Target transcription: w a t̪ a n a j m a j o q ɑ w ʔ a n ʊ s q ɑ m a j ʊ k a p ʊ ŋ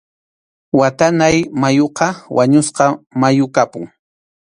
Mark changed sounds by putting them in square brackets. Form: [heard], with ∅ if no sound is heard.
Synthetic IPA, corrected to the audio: w a t̪ a n a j m a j o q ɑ w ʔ a [ɲ] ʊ s q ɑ m a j ʊ k a p ʊ ŋ